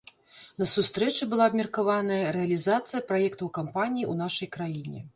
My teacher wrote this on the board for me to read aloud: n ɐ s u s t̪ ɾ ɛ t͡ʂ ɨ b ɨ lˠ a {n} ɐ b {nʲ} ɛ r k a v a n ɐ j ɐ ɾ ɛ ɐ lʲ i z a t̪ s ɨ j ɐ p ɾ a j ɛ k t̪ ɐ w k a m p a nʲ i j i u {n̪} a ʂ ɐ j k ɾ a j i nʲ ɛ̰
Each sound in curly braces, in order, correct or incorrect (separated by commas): incorrect, incorrect, correct